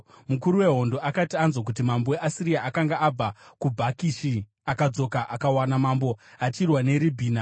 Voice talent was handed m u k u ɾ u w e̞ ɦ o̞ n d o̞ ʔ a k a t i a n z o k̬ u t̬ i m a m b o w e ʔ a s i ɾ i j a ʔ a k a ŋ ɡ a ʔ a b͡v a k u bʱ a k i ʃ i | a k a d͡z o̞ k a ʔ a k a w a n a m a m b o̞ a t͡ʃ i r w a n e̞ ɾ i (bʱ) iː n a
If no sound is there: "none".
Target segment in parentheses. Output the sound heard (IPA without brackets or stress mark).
bʱ